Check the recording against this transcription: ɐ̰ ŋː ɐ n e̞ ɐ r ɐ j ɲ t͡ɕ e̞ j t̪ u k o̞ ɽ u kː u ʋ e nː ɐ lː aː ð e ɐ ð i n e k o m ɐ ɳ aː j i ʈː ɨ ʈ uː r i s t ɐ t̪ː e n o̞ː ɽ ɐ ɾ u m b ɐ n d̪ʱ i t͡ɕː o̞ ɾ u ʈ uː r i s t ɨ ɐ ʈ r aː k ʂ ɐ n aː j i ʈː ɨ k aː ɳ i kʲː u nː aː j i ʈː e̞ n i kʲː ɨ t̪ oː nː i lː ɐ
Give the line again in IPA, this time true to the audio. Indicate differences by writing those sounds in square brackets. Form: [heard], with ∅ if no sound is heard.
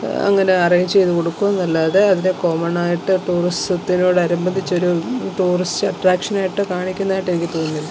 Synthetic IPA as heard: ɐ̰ ŋː ɐ n e̞ ɐ r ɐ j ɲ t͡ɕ e̞ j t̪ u k o̞ ɽ u kː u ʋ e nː ɐ lː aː ð e ɐ ð i n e k o m ɐ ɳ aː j i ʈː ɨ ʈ uː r i s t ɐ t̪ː [i] n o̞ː ɽ ɐ ɾ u m b ɐ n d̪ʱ i t͡ɕː o̞ ɾ u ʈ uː r i s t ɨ ɐ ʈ r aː k ʂ ɐ n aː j i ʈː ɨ k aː ɳ i kʲː u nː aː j i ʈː e̞ n i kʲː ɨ t̪ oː nː i lː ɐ